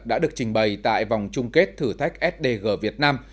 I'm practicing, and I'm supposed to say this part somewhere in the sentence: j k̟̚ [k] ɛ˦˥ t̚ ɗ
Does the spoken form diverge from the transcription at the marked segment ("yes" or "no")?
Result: yes